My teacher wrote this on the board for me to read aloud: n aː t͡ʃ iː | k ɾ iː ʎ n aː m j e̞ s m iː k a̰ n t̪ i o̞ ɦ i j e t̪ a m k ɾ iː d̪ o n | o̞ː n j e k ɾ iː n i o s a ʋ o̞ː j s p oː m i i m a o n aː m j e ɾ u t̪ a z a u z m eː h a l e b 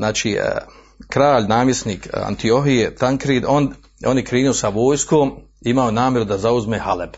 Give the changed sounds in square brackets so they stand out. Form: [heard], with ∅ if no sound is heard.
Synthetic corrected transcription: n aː t͡ʃ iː | k ɾ [aː] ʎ n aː m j e̞ s [n] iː k a̰ n t̪ i o̞ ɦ i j e t̪ a [ŋ] k ɾ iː d̪ o n | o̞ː n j e k ɾ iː n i o s a ʋ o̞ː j s [k] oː m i i m a o n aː m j e ɾ u [d̪] a z a u z m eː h a l e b